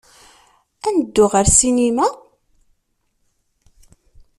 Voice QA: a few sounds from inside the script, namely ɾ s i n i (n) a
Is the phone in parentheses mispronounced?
yes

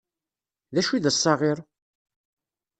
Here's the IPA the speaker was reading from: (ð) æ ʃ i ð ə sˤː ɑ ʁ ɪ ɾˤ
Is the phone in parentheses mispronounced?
no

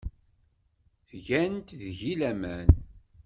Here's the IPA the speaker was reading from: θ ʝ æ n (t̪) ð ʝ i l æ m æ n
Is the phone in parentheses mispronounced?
no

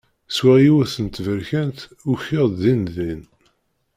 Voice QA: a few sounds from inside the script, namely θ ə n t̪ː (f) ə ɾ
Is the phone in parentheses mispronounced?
yes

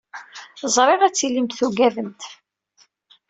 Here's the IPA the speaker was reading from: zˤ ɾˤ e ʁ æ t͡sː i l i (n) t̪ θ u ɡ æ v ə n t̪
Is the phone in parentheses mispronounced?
yes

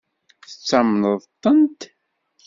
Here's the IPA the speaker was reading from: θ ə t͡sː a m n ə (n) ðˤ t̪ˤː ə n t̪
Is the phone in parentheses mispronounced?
yes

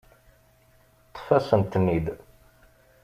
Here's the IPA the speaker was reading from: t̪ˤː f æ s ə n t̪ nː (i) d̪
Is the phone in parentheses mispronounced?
no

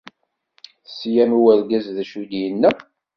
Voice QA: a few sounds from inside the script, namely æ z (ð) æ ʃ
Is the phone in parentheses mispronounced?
no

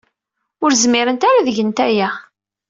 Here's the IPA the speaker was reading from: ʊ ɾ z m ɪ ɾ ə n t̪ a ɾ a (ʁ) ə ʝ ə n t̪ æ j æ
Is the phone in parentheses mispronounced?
yes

